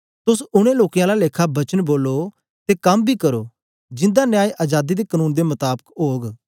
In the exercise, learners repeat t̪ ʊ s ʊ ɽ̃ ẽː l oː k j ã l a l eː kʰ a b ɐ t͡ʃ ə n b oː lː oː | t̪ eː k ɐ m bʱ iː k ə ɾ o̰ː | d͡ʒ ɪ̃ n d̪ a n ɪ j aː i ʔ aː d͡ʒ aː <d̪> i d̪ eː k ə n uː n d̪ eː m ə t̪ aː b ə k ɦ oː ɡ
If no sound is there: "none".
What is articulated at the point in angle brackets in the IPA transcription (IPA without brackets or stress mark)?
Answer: d̪